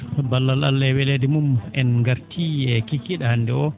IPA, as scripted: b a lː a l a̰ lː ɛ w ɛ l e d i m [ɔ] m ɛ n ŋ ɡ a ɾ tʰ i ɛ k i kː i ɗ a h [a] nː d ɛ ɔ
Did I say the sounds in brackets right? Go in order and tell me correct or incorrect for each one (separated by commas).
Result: incorrect, correct